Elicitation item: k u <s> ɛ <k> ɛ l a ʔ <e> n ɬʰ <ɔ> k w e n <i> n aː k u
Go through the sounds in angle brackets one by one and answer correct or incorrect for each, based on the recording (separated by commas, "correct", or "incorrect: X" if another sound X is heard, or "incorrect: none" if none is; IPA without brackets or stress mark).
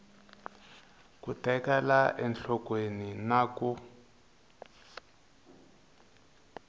incorrect: t, correct, incorrect: ɛ, correct, correct